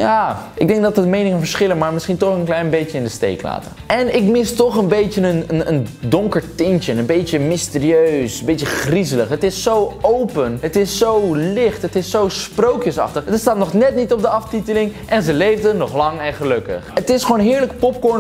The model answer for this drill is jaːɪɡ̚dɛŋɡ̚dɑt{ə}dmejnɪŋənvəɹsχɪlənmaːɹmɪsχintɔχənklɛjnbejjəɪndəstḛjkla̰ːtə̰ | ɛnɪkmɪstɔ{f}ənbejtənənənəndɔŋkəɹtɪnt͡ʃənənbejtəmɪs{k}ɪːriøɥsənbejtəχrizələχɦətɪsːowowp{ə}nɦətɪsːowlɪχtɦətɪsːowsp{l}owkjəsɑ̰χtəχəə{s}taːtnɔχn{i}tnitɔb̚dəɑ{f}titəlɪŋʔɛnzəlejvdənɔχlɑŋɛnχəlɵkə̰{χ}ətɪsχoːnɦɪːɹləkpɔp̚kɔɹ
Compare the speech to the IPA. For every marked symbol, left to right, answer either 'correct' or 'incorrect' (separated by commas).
correct, incorrect, incorrect, correct, incorrect, correct, incorrect, correct, correct